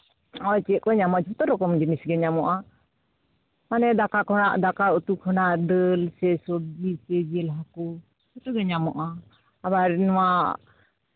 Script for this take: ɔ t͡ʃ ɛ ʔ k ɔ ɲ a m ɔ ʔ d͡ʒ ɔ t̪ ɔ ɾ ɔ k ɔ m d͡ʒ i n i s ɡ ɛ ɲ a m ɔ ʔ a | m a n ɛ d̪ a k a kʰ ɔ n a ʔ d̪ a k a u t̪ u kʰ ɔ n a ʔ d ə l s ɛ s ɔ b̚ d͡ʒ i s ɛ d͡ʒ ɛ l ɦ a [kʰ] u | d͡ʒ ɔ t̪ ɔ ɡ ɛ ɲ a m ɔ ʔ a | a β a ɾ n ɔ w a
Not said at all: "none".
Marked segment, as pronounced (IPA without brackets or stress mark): k